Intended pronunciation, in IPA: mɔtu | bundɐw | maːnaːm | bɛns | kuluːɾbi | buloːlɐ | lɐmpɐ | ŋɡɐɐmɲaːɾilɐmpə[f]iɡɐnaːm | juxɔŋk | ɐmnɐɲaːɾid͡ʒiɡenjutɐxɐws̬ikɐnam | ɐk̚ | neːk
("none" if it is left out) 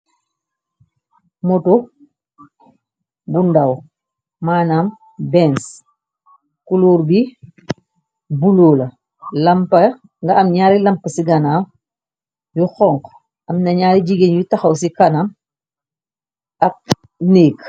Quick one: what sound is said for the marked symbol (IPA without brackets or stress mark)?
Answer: s